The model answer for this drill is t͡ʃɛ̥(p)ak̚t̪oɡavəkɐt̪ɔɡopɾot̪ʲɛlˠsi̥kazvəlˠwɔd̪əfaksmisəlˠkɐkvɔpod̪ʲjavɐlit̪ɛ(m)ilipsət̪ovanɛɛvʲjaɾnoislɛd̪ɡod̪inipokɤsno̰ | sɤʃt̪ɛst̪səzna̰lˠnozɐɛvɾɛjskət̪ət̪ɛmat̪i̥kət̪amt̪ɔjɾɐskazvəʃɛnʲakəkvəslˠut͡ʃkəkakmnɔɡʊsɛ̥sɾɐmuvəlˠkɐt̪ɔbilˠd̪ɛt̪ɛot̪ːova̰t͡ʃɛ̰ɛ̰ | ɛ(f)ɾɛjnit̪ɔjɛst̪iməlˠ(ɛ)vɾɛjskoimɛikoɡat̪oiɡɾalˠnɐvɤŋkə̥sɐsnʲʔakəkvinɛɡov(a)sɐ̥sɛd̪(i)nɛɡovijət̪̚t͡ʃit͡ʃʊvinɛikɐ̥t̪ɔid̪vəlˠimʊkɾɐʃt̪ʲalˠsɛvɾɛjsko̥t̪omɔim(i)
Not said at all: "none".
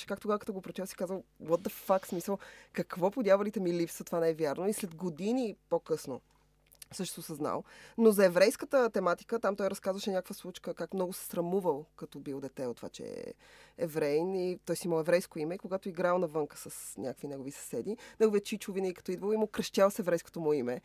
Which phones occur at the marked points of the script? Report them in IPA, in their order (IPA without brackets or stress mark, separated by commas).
k, m, v, ɛ, i, i, ɛ